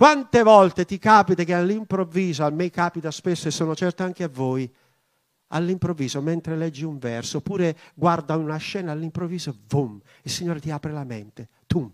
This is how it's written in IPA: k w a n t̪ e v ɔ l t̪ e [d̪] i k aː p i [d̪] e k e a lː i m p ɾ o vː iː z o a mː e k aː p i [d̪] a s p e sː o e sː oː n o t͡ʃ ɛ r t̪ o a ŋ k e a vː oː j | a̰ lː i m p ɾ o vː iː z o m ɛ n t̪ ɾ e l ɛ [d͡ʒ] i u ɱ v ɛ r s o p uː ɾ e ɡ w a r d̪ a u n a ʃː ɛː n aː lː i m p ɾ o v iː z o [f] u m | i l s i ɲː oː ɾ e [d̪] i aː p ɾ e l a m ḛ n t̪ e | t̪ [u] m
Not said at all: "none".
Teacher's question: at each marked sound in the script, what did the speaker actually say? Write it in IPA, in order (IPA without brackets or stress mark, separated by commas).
t̪, t̪, t̪, d͡ʒː, v, t̪, u